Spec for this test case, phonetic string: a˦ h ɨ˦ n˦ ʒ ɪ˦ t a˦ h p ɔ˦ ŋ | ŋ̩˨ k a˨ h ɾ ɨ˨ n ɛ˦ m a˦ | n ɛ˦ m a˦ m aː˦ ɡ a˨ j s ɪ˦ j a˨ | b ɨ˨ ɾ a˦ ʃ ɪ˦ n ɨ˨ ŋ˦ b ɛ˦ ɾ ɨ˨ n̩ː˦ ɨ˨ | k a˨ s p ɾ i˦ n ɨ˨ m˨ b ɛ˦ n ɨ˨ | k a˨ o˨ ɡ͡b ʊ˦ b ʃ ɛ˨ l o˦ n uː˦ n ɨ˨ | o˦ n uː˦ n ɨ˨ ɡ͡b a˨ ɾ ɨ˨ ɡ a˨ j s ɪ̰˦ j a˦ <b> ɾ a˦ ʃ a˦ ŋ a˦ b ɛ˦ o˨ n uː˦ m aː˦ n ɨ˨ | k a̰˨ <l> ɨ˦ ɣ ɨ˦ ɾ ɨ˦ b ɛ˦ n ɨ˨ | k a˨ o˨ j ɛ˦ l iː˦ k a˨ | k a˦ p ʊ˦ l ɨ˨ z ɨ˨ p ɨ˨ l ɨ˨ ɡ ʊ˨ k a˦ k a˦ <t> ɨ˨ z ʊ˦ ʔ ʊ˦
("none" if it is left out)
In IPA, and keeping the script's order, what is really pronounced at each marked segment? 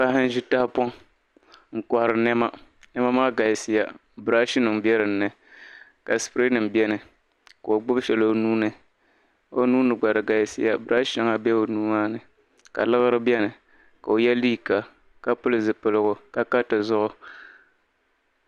b, l, t

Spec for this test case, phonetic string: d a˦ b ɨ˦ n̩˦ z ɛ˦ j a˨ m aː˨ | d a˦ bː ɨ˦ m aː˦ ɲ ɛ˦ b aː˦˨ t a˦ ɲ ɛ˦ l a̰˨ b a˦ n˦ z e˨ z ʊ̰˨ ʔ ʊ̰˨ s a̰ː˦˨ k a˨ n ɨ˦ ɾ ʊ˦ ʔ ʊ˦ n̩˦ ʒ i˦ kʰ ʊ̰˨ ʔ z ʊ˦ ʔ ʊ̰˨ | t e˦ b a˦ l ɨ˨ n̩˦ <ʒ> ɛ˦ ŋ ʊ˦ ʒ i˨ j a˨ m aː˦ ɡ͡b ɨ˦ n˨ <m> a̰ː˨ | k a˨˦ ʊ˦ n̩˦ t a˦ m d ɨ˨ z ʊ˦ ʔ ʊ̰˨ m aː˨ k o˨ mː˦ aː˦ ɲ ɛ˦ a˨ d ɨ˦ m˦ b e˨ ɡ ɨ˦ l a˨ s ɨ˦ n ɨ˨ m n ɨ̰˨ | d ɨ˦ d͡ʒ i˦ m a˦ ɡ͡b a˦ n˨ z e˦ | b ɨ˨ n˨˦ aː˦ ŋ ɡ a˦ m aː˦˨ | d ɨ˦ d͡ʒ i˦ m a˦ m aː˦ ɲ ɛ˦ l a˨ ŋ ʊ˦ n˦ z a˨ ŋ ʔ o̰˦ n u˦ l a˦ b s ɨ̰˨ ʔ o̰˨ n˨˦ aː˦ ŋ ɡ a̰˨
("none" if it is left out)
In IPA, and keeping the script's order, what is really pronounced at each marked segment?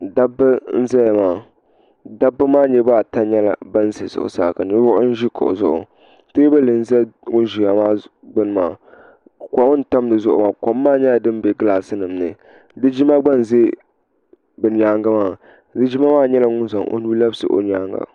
z, m

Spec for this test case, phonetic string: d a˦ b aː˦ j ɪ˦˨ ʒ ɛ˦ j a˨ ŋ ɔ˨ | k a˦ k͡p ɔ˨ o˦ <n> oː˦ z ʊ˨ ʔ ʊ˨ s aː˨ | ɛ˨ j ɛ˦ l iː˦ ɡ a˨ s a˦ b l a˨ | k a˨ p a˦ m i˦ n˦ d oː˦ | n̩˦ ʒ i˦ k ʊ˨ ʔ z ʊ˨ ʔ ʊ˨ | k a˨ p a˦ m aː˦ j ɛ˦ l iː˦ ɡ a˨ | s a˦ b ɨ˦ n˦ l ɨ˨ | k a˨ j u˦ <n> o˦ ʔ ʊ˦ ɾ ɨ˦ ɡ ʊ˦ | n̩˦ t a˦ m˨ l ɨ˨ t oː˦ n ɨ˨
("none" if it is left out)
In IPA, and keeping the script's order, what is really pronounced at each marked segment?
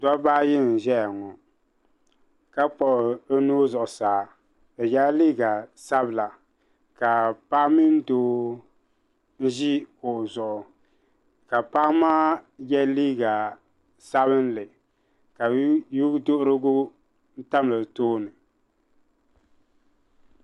n, d

